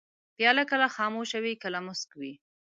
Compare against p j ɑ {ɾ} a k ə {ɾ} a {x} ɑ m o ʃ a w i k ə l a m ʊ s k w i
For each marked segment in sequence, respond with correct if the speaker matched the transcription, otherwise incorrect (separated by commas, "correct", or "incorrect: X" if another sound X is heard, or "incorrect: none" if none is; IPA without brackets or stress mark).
incorrect: l, incorrect: l, correct